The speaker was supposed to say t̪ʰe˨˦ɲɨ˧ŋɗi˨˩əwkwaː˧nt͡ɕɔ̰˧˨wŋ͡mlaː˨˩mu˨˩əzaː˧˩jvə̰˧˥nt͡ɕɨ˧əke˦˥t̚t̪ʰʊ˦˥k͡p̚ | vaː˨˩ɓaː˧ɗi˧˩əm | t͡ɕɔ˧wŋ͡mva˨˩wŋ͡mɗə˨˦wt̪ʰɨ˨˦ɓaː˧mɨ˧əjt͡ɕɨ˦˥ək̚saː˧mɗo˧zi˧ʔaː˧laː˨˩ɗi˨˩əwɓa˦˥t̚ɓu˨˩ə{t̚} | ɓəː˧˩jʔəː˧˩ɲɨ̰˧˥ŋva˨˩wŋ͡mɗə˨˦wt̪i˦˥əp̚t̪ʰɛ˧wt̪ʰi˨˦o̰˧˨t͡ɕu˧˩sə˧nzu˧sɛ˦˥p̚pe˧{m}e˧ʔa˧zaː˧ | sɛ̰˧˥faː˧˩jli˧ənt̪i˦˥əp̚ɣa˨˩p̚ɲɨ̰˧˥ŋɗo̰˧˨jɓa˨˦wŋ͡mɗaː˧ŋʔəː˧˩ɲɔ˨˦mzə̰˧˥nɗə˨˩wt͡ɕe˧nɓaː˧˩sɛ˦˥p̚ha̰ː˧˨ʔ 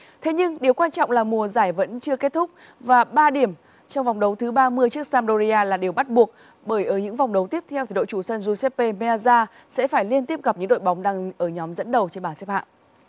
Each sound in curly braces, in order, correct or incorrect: incorrect: k̚, correct

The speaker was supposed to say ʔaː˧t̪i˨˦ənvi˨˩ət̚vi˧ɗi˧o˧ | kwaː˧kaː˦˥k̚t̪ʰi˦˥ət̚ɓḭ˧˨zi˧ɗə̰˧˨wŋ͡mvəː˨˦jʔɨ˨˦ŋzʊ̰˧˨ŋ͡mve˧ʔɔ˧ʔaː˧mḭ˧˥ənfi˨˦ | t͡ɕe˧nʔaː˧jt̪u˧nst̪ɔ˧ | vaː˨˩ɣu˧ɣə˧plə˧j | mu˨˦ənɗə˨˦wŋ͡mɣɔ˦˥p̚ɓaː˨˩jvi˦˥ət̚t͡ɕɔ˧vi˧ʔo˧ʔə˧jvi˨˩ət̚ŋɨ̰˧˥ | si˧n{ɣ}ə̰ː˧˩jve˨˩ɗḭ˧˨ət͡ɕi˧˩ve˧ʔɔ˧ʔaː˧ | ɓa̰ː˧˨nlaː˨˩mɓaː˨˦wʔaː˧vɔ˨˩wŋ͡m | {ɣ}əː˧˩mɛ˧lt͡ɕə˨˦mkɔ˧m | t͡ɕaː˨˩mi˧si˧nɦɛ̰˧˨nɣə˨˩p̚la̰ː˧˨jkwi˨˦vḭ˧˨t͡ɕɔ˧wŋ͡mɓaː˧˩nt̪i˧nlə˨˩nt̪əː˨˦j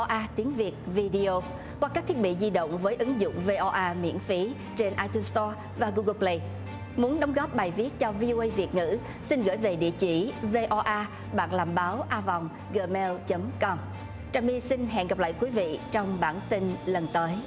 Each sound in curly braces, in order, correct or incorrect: correct, correct

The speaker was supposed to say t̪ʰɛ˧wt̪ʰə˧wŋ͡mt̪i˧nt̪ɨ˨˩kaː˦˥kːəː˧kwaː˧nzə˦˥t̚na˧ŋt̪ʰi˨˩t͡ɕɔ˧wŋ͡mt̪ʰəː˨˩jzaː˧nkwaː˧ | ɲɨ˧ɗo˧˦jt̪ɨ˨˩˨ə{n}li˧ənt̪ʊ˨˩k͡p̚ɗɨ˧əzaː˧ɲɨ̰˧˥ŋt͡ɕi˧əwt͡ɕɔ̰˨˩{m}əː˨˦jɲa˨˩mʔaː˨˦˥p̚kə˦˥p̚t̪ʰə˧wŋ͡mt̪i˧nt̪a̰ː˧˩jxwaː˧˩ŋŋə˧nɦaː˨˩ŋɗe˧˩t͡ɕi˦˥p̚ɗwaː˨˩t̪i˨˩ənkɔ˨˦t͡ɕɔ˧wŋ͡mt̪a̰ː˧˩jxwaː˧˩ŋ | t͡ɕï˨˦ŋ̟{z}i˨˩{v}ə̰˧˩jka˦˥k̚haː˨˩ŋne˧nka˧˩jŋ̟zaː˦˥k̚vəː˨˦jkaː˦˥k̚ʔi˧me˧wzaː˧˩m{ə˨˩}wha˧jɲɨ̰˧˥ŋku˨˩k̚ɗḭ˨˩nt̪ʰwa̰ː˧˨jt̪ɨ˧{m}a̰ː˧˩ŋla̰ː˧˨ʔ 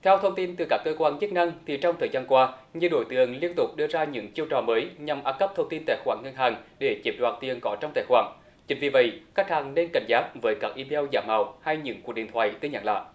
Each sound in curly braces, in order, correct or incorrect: incorrect: ŋ, correct, incorrect: v, correct, incorrect: a˨˩, incorrect: ɲ

